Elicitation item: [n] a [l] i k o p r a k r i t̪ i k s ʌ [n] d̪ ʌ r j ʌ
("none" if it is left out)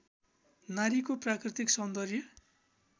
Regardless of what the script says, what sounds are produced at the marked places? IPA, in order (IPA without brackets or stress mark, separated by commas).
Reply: n, ɾ, n